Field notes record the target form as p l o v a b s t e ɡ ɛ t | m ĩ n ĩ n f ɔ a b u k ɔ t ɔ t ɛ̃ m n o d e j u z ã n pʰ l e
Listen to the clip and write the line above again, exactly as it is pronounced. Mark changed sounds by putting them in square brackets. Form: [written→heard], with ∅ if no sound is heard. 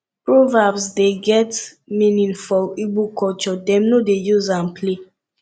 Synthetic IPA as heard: p [l→ɹ] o v a b s [t→d] e ɡ ɛ t | m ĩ n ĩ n f ɔ [a→i] b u k ɔ [t→t͡ʃ] ɔ [t→d] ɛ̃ m n o d e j u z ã n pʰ l e